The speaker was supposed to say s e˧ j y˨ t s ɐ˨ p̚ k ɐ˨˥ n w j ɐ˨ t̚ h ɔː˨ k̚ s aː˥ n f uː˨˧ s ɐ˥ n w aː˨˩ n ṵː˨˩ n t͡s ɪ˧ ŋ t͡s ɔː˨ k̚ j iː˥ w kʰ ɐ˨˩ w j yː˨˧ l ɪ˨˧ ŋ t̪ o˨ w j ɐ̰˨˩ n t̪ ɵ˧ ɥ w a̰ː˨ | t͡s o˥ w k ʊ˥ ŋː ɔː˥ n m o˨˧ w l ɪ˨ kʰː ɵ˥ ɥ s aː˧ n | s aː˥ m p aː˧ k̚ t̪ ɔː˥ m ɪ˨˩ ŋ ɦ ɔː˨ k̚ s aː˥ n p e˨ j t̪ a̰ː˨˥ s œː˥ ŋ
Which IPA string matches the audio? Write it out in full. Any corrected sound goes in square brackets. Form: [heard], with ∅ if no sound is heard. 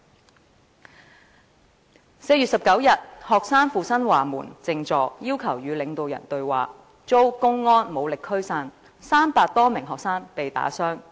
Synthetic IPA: s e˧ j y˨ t s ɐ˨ p̚ k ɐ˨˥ [∅] w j ɐ˨ t̚ h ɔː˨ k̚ s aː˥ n f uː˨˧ s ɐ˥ n w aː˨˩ [m] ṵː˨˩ n t͡s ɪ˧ ŋ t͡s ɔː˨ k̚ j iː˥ w kʰ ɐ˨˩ w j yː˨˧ l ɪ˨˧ ŋ t̪ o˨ w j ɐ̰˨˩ n t̪ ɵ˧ ɥ w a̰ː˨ | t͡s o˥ w k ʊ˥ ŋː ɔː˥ n m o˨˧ w l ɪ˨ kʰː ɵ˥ ɥ s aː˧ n | s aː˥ m p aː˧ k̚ t̪ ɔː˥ m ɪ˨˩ ŋ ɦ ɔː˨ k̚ s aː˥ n p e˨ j t̪ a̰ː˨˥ s œː˥ ŋ